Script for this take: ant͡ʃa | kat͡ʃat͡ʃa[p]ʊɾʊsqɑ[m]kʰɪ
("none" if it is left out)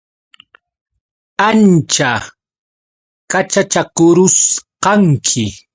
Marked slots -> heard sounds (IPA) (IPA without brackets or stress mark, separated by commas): k, ŋ